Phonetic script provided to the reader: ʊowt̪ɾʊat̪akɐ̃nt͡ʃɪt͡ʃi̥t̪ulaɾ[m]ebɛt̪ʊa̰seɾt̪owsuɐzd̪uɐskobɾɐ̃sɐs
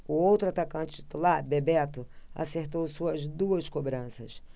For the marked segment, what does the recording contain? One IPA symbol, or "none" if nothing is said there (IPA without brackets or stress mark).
b